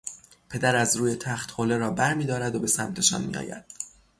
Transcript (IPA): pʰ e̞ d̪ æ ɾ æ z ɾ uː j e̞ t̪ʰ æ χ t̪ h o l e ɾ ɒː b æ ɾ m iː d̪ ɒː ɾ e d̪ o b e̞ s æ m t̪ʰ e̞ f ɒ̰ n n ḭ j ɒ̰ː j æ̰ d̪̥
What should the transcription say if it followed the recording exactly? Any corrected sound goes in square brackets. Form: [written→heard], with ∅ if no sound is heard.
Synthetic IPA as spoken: pʰ e̞ d̪ æ ɾ æ z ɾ uː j e̞ t̪ʰ æ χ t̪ h o l e ɾ ɒː b æ ɾ m iː d̪ ɒː ɾ [e→æ] d̪ o b e̞ s æ m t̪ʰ e̞ [f→ʃ] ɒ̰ n [n→m] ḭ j ɒ̰ː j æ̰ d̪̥